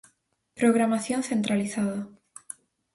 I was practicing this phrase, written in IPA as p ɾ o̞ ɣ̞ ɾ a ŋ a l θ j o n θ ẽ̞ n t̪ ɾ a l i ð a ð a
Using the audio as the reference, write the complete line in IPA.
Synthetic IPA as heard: p ɾ o̞ ɣ̞ ɾ a m a θ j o n θ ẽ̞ n t̪ ɾ a l i θ a ð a